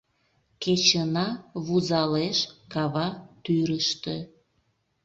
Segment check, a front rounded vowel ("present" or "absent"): present